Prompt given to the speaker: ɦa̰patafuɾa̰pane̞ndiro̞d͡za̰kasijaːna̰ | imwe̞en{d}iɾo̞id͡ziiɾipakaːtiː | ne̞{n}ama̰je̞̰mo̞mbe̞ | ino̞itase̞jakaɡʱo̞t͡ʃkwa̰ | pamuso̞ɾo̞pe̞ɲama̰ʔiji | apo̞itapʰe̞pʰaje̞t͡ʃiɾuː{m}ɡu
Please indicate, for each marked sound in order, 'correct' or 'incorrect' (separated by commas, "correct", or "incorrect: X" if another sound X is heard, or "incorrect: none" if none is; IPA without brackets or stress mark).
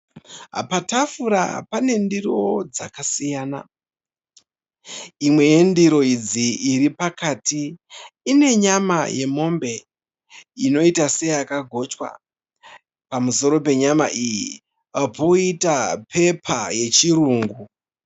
correct, incorrect: ɲ, incorrect: ŋ